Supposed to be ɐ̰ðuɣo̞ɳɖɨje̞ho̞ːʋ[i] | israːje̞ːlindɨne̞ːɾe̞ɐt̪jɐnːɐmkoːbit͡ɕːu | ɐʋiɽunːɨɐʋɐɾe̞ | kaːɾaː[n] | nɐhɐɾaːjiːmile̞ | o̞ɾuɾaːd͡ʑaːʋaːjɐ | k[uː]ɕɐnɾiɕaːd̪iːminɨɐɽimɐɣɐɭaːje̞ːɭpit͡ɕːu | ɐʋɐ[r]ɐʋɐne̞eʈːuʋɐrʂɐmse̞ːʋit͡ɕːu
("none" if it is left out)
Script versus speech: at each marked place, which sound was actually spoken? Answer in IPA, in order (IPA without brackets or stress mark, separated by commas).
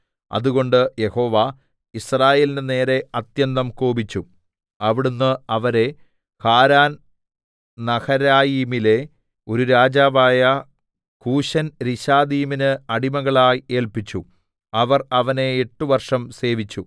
a, n, uː, r